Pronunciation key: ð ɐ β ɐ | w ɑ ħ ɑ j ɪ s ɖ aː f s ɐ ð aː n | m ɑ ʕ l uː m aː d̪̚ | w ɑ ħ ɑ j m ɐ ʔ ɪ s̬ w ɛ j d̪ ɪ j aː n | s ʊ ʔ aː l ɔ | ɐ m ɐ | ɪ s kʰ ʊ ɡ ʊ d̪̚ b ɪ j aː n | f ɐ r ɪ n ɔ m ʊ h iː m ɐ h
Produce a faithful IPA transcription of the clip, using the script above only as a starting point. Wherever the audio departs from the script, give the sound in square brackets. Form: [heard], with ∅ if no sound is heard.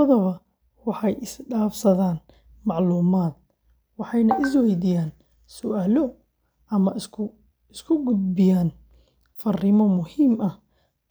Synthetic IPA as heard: ð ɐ β ɐ | w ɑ ħ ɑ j ɪ s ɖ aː f s ɐ ð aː n | m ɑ ʕ l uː m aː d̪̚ | w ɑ ħ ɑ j [n] ɐ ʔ ɪ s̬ w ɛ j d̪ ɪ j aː n | s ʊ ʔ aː l ɔ | ɐ m ɐ | ɪ s kʰ ʊ ɡ ʊ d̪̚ b ɪ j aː n | f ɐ r ɪ [m] ɔ m ʊ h iː m ɐ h